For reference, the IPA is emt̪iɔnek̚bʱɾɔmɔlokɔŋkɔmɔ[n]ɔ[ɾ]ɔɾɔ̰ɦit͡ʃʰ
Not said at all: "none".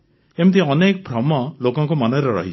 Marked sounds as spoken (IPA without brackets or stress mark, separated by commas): n, ɾ